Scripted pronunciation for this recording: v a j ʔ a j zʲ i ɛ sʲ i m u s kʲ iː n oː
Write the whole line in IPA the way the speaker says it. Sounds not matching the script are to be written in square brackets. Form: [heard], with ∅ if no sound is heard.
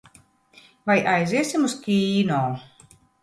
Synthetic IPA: v a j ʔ a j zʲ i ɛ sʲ i m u s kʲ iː n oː

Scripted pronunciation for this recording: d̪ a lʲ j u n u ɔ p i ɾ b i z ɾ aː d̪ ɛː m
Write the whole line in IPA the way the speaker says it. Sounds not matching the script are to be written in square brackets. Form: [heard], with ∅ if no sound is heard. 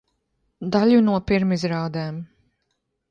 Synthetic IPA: d̪ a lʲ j u n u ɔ p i ɾ [m] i z ɾ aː d̪ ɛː m

